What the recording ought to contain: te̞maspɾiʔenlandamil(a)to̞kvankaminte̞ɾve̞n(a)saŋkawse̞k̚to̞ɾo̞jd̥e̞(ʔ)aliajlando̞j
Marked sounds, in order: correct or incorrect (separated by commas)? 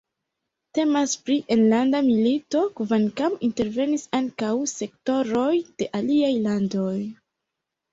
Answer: incorrect, incorrect, correct